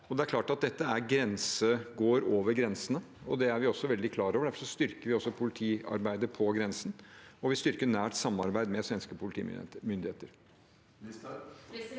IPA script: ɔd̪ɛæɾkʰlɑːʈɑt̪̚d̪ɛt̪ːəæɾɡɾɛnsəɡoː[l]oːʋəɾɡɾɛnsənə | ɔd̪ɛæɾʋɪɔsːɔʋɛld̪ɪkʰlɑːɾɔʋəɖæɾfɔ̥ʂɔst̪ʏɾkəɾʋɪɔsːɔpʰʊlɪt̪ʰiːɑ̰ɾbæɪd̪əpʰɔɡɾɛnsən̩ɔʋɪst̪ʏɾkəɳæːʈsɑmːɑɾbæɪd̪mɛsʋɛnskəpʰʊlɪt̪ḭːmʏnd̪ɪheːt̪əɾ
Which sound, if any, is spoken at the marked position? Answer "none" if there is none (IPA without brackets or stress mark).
ɾ